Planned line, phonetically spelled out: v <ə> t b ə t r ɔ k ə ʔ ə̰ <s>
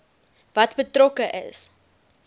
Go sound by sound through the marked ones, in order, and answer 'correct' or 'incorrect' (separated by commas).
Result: incorrect, correct